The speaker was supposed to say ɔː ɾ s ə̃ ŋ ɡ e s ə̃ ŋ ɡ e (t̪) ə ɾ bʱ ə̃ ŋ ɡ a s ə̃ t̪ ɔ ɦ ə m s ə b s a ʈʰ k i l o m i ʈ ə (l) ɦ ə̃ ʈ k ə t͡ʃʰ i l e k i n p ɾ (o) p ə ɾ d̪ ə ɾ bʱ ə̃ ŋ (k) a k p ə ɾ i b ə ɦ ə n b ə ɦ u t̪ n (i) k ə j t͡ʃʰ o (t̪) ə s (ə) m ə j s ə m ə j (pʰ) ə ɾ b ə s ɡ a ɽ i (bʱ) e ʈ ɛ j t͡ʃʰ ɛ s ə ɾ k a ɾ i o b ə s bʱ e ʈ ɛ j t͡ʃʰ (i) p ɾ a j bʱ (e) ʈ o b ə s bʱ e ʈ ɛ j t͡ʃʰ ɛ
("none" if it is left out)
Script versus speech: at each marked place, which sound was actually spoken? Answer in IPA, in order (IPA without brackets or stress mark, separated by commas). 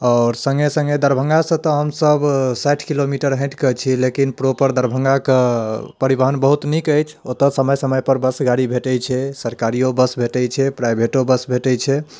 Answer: d̪, ɾ, o, ɡ, i, t̪, ə, p, bʱ, ɛ, e